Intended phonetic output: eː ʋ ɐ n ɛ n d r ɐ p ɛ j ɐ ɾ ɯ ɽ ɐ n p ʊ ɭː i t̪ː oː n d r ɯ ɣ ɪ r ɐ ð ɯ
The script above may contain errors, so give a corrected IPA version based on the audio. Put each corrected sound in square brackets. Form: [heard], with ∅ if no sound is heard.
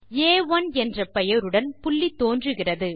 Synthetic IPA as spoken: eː ʋ ɐ n ɛ n d r ɐ p ɛ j ɐ ɾ ɯ ɽ ɐ n p ʊ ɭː i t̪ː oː n d r ɯ ɣ ɪ r ɐ ð ɯ